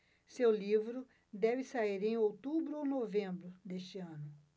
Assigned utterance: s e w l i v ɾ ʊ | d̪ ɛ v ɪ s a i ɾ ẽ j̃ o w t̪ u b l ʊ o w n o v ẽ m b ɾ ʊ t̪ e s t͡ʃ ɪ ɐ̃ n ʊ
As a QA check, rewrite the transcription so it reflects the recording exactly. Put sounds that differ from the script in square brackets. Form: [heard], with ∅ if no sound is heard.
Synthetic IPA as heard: s e w l i v ɾ ʊ | d̪ ɛ v ɪ s a i ɾ ẽ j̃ o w t̪ u b [ɾ] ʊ o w n o v ẽ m b ɾ ʊ [d̪] e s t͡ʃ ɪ ɐ̃ n ʊ